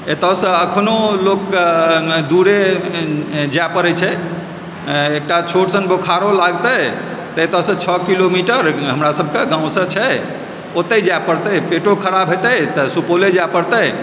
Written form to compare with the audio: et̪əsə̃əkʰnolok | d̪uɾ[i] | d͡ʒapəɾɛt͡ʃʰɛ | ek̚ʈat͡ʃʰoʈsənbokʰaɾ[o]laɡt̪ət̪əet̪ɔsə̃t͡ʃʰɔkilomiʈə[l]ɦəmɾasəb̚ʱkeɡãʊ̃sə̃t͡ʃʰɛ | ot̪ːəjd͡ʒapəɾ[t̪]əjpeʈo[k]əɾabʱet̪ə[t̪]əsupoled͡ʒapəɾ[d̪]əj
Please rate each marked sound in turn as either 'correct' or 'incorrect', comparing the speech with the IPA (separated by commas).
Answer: incorrect, correct, incorrect, correct, incorrect, correct, incorrect